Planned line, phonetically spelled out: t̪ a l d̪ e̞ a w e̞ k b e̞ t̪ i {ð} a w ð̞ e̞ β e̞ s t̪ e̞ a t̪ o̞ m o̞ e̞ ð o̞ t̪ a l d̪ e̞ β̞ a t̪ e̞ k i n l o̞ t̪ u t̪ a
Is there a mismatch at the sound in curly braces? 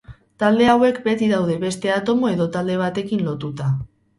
no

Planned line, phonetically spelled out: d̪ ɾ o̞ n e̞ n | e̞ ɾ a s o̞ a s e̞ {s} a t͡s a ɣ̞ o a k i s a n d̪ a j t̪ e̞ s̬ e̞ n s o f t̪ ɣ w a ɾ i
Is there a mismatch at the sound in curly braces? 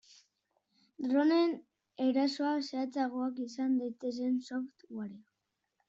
yes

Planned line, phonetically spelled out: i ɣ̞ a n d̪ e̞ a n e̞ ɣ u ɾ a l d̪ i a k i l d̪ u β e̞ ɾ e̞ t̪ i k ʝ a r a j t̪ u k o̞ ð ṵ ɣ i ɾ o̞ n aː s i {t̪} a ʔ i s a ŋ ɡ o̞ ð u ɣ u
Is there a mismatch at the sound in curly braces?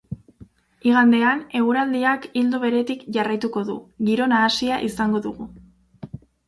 yes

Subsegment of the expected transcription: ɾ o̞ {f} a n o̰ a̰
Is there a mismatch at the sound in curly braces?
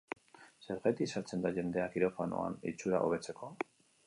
no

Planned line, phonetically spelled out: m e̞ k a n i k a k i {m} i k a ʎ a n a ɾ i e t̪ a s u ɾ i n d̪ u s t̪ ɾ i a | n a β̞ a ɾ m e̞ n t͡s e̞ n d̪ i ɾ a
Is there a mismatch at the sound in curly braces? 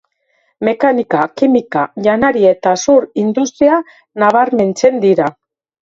no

